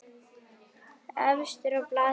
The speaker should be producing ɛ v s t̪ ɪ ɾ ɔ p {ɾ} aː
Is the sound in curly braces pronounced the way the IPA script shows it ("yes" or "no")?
no